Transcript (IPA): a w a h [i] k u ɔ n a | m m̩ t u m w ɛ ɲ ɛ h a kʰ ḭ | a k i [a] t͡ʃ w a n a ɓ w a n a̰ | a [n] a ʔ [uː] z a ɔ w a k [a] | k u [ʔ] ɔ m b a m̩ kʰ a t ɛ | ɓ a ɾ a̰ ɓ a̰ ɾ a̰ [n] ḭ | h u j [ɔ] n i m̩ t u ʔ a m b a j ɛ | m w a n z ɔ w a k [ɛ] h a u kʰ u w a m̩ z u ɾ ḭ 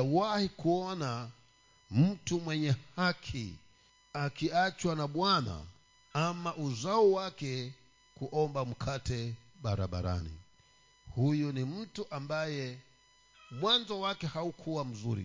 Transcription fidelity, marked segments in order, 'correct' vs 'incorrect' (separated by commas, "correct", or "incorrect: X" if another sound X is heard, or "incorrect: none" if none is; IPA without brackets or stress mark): correct, correct, incorrect: m, incorrect: u, incorrect: ɛ, correct, correct, incorrect: u, correct